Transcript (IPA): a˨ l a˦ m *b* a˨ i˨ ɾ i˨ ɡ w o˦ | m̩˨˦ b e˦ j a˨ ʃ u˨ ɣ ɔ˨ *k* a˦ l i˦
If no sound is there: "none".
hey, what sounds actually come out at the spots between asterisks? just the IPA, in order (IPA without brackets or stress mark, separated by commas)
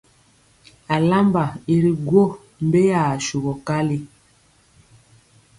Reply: b, k